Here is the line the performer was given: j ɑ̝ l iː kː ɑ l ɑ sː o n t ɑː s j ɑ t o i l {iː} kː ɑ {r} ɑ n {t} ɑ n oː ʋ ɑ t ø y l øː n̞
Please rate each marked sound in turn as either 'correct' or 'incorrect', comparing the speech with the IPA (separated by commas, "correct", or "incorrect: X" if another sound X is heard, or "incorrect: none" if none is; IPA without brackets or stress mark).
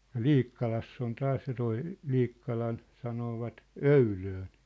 correct, incorrect: l, incorrect: s